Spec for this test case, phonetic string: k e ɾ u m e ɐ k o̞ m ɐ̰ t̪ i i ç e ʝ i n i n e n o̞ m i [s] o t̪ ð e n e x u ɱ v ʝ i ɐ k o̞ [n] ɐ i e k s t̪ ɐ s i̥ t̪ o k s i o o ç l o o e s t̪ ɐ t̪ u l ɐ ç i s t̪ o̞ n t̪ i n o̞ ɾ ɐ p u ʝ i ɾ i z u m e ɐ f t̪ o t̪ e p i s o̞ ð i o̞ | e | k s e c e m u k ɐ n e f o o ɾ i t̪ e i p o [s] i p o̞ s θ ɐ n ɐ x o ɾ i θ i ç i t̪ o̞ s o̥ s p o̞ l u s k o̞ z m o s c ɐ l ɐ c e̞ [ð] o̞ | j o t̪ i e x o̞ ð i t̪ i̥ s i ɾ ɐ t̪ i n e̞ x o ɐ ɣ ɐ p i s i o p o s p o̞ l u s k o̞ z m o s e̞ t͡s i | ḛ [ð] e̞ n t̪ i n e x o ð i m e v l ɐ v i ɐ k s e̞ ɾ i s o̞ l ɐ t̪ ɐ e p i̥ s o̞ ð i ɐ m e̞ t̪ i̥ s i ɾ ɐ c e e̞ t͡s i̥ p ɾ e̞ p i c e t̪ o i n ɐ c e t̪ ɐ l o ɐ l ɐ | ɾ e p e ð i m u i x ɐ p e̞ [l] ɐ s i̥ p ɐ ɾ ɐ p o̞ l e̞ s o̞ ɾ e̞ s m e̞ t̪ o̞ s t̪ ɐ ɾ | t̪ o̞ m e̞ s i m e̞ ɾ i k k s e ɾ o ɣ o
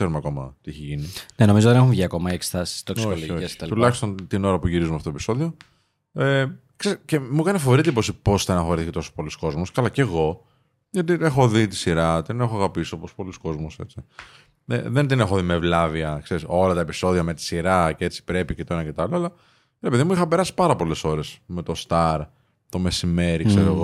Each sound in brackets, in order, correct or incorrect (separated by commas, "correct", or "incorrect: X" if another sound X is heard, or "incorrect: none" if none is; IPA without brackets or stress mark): incorrect: z, incorrect: m, correct, incorrect: ɣ, correct, incorrect: ɾ